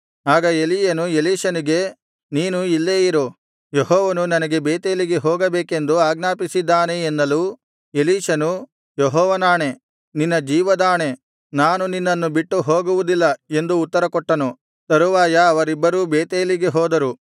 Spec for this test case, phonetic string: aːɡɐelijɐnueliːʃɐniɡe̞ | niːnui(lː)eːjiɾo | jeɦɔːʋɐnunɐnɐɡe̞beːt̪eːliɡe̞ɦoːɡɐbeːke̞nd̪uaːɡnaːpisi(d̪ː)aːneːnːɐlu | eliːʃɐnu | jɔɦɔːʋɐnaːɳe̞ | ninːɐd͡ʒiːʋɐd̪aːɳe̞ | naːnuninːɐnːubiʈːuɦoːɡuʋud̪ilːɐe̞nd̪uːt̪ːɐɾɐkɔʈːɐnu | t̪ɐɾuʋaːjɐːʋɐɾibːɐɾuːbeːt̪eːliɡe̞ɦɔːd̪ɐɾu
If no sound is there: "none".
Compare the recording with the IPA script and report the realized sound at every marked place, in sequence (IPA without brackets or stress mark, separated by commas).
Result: lː, d̪ː